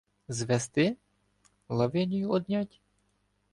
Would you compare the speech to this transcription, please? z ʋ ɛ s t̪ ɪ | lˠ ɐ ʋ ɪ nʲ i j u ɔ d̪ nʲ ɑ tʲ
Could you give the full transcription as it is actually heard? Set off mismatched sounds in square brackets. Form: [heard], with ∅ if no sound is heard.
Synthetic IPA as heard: z ʋ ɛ s t̪ ɪ | lˠ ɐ ʋ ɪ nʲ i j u ɔ d̪ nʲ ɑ tʲ